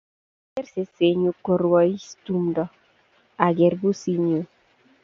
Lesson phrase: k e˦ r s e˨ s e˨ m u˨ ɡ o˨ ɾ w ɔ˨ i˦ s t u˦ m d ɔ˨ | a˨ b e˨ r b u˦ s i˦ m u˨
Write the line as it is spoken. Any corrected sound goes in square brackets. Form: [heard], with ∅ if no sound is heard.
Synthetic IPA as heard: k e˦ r s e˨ s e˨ [ɲ] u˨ [k] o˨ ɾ w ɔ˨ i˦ s t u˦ m d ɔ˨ | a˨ [ɡ] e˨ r b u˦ s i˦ [ɲ] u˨